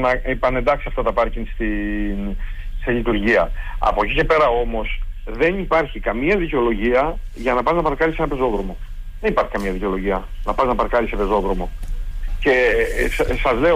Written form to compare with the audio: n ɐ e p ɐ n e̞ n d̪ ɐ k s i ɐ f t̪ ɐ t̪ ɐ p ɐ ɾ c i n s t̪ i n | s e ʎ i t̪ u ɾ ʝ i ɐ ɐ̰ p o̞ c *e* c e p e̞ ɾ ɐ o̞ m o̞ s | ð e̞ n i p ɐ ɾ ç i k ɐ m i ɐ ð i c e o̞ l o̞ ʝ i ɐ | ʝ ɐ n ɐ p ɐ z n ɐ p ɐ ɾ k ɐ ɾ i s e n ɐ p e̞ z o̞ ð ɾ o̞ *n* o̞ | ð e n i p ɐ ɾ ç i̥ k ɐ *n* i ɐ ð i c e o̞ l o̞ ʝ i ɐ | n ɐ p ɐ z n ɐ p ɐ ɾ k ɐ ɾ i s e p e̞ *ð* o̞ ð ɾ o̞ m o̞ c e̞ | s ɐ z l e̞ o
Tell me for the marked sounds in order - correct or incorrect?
incorrect: i, incorrect: m, incorrect: m, incorrect: z

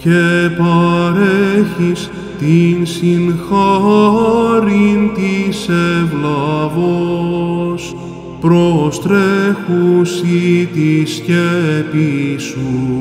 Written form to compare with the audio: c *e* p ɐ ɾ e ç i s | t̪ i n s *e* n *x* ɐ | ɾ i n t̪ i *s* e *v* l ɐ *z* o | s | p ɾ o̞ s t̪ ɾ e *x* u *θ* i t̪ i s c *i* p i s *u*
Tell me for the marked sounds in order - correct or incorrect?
correct, incorrect: i, correct, correct, correct, incorrect: v, correct, incorrect: s, incorrect: e, correct

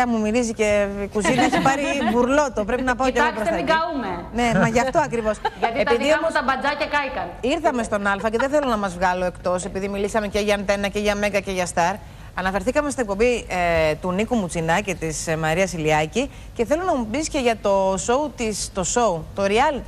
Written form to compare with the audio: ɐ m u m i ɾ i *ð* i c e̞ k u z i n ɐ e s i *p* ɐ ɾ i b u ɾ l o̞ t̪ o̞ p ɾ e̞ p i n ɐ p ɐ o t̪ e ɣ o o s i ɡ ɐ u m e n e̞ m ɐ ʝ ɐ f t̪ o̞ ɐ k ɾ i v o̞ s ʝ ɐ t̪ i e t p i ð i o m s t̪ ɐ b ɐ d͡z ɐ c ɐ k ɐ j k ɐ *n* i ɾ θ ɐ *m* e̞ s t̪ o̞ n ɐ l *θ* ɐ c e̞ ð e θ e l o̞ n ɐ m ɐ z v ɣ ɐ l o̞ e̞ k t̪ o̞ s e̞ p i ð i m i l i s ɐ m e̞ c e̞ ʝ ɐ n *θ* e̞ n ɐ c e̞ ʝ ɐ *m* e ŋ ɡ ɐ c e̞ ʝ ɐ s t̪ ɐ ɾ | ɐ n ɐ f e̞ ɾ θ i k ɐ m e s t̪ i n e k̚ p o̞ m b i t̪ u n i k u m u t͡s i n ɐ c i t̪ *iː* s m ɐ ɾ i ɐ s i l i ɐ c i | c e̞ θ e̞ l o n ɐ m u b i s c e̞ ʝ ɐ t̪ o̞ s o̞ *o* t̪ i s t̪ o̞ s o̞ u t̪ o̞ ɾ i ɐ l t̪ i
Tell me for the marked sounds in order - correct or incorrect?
incorrect: z, correct, correct, correct, incorrect: f, correct, correct, incorrect: i, incorrect: u

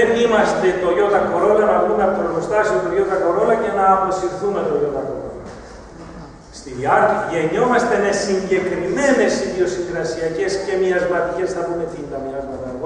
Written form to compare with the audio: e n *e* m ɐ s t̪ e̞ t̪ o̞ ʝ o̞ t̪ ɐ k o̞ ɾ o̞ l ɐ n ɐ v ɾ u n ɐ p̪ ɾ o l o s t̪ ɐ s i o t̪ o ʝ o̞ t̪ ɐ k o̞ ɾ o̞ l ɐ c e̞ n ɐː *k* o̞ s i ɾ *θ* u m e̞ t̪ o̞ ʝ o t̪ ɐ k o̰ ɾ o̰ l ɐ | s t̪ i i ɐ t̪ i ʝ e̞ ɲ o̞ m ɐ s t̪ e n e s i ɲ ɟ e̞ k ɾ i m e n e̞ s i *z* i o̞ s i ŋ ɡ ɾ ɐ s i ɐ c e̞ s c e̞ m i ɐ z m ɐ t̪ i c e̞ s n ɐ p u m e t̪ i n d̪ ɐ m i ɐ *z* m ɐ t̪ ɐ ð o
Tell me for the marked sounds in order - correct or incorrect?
incorrect: i, incorrect: p, correct, incorrect: ð, correct

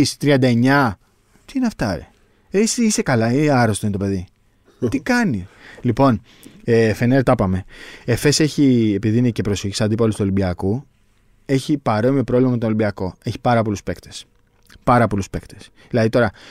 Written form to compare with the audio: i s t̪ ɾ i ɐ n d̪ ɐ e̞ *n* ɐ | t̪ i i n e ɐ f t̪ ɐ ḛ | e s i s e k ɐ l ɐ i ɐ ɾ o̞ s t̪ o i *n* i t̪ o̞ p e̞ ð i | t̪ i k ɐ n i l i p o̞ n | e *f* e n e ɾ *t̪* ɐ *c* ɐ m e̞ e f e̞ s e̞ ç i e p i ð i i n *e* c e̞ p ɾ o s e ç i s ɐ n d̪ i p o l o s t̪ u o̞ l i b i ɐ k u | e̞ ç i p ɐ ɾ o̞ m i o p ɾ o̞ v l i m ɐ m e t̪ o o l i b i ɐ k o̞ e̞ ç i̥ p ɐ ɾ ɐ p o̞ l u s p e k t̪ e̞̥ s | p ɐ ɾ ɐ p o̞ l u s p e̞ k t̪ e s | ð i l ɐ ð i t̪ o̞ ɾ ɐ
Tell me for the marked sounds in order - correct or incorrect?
incorrect: ɲ, correct, correct, correct, incorrect: p, correct

